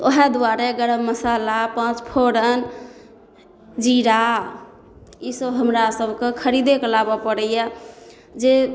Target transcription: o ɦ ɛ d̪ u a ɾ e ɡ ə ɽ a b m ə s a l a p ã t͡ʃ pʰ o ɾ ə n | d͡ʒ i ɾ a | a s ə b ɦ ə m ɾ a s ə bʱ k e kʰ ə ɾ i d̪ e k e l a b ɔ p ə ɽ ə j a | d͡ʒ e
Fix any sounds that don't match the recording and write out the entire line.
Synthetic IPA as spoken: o ɦ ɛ d̪ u a ɾ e ɡ ə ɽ ə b m ə s a l a p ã t͡ʃ pʰ o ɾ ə n | d͡ʒ i ɾ a | i s ə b ɦ ə m ɾ a s ə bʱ k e kʰ ə ɾ i d̪ e k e l a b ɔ p ə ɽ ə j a | d͡ʒ e